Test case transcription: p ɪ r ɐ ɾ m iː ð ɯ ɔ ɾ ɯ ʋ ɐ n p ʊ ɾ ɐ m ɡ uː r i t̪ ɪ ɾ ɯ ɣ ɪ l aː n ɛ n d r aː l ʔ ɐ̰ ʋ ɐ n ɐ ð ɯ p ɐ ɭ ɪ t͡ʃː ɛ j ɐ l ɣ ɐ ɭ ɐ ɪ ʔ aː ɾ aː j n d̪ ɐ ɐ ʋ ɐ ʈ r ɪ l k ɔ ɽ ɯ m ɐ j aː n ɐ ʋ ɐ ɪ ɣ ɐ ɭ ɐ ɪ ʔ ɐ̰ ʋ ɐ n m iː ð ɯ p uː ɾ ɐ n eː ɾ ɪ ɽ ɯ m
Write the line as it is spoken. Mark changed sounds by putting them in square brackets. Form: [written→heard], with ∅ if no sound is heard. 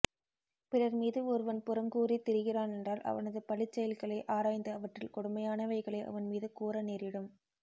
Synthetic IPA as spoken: p ɪ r ɐ ɾ m iː ð ɯ ɔ ɾ ɯ ʋ ɐ n p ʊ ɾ ɐ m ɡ uː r i t̪ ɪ ɾ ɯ ɣ ɪ [l→r] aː n ɛ n d r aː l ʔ ɐ̰ ʋ ɐ n ɐ ð ɯ p ɐ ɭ ɪ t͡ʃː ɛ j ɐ l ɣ ɐ ɭ ɐ ɪ ʔ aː ɾ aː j n d̪ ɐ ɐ ʋ ɐ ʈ r ɪ l k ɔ ɽ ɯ m ɐ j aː n ɐ ʋ ɐ ɪ ɣ ɐ ɭ ɐ ɪ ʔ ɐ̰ ʋ ɐ n m iː ð ɯ [p→k] uː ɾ ɐ n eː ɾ ɪ ɽ ɯ m